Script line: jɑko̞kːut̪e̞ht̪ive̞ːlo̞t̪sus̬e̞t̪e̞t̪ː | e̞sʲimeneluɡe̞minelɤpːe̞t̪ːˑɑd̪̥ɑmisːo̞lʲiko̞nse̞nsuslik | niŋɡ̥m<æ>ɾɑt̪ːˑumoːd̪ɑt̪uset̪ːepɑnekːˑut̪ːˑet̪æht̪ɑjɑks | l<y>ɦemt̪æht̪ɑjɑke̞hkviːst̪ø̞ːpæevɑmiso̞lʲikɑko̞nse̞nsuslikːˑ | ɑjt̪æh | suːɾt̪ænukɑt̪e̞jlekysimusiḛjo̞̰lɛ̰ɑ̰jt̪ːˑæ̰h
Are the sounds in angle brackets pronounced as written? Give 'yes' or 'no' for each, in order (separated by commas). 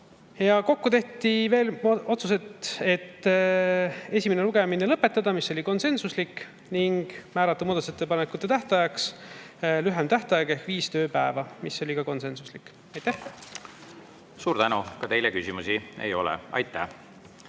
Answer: no, yes